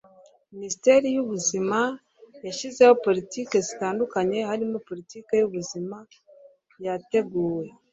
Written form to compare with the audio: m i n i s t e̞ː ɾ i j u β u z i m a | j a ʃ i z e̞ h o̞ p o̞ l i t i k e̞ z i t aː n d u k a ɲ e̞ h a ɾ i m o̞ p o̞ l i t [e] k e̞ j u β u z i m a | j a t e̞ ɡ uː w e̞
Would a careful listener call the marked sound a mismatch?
yes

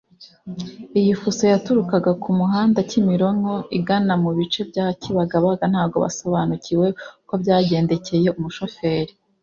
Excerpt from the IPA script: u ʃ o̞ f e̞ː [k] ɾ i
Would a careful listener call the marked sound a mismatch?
yes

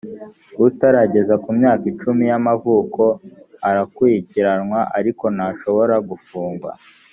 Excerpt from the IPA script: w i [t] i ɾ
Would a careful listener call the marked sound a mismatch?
yes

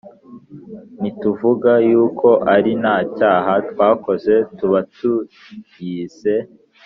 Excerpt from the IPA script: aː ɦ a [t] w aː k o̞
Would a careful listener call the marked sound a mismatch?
no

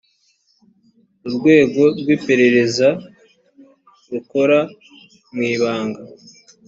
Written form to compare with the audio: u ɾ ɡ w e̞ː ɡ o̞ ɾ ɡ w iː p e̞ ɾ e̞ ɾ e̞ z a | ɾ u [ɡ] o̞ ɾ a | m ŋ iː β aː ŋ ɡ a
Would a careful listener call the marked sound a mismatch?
yes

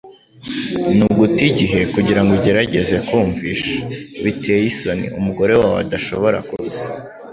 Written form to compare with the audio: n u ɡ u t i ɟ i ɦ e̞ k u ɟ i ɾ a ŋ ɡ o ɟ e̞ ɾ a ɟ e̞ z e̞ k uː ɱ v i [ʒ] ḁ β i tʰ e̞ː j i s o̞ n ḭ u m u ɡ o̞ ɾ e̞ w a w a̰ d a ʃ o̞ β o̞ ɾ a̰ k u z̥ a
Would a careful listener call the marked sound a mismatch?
yes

